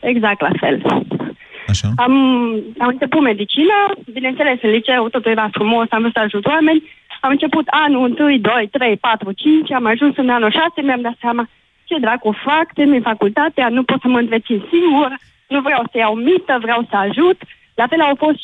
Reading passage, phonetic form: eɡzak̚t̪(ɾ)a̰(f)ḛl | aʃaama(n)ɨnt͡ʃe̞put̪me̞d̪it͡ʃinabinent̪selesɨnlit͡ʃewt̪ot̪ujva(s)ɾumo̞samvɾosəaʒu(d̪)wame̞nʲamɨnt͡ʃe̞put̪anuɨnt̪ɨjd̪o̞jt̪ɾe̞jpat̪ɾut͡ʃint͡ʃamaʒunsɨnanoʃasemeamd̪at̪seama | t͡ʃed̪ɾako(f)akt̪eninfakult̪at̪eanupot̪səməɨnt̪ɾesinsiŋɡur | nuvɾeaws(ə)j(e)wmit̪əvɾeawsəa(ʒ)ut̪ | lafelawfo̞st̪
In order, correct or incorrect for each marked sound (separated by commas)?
incorrect, correct, incorrect, incorrect, incorrect, correct, correct, incorrect, correct